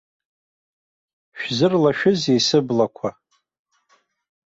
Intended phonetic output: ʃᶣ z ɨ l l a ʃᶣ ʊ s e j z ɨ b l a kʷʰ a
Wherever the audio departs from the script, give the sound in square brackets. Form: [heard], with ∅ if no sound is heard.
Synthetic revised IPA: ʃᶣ z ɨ [r] l a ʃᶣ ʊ [z] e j [s] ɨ b l a kʷʰ a